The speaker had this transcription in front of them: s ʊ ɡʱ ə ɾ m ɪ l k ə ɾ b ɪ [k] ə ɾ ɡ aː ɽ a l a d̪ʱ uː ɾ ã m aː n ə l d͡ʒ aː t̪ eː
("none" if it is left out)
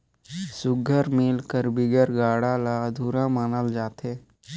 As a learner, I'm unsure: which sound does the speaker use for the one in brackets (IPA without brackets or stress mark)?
ɡ